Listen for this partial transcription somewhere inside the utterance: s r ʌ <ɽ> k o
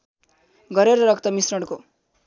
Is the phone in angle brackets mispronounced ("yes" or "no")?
no